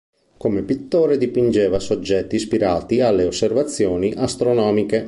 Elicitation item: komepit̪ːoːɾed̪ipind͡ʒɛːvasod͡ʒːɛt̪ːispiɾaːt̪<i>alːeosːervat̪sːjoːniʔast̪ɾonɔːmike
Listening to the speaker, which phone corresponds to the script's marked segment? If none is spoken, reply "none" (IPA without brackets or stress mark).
i